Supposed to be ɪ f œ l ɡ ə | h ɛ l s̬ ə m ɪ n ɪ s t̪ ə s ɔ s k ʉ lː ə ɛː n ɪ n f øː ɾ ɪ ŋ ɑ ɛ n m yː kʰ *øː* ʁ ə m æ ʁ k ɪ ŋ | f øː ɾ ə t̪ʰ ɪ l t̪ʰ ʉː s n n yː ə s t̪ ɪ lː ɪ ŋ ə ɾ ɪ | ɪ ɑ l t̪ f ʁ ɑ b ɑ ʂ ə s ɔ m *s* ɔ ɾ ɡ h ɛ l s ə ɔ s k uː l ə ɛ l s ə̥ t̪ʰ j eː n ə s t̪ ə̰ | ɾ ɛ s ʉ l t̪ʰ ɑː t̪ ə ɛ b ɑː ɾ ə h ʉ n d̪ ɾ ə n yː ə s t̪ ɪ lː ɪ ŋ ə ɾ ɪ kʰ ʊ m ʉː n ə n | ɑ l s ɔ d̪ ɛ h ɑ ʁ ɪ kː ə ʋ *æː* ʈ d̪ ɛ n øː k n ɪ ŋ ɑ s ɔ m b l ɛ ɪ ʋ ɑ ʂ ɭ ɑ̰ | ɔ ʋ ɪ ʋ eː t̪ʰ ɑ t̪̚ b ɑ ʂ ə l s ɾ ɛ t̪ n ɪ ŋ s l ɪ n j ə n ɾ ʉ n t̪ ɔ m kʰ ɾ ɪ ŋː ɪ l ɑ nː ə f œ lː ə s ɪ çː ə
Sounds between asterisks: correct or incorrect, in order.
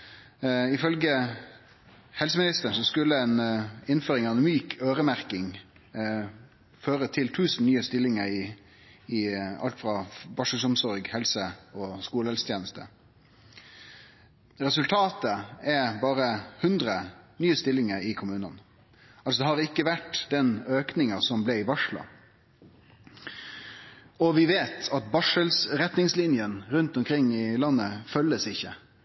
correct, correct, incorrect: æ

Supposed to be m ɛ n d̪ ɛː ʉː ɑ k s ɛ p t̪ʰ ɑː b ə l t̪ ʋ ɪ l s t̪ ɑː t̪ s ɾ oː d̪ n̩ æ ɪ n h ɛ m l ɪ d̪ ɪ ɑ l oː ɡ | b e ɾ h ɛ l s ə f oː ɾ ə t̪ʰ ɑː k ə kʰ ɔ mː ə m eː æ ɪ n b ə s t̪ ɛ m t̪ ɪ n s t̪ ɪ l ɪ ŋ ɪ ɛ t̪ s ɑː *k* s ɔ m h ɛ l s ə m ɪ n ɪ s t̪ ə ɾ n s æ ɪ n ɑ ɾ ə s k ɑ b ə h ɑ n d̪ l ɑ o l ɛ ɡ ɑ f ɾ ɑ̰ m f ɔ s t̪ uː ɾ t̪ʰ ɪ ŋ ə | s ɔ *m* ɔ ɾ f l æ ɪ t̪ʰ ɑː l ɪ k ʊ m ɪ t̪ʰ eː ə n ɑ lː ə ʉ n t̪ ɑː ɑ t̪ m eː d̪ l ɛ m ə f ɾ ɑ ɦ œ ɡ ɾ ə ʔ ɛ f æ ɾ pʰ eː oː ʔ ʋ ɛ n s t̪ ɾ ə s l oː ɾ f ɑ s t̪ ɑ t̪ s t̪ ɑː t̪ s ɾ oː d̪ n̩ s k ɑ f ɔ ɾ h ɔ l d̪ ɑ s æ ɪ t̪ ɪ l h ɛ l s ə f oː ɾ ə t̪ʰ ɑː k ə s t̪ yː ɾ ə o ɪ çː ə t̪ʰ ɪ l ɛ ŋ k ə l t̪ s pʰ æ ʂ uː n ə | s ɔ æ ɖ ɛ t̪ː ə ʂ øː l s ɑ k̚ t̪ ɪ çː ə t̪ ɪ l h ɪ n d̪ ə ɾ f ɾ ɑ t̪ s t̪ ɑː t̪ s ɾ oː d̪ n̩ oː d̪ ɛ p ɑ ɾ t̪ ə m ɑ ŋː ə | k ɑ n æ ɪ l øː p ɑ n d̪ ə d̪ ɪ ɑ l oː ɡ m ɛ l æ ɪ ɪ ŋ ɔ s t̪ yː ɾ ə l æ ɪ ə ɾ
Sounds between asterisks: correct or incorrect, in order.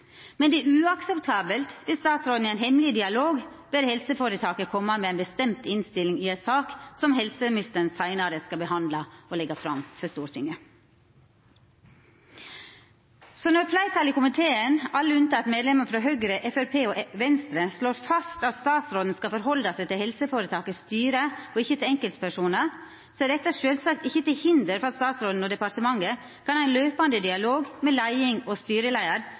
correct, incorrect: n

